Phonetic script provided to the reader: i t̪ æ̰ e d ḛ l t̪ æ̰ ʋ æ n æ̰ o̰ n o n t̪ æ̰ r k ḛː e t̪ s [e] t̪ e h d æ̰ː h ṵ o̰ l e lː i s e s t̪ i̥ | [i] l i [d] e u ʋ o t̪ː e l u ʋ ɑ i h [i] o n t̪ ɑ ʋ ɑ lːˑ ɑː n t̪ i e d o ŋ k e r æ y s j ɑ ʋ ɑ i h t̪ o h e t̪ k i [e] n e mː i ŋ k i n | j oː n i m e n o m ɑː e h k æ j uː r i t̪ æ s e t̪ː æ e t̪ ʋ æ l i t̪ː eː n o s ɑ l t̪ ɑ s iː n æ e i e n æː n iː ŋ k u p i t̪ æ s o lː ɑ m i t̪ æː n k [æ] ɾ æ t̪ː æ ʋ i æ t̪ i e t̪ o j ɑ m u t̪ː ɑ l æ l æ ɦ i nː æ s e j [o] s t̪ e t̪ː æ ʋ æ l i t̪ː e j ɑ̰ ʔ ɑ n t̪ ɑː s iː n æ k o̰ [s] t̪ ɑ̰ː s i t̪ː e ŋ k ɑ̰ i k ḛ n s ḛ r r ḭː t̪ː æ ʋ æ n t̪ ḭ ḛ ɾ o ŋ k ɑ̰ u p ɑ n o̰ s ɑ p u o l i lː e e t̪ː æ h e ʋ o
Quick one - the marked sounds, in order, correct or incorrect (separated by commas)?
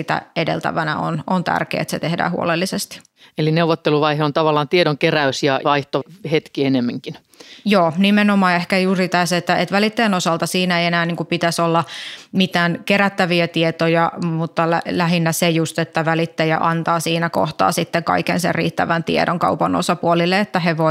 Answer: correct, incorrect, incorrect, incorrect, correct, incorrect, incorrect, incorrect